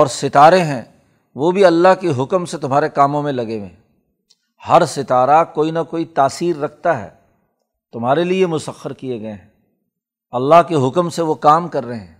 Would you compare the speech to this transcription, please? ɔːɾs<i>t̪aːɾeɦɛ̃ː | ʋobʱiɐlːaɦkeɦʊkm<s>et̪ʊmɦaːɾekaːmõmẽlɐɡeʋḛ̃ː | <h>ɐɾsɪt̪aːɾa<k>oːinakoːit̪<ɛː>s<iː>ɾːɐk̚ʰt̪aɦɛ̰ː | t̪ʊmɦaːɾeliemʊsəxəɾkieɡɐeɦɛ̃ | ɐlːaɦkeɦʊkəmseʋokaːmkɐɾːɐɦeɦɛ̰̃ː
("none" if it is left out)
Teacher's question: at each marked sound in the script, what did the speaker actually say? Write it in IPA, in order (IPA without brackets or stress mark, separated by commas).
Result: ɪ, s, h, k, aː, iː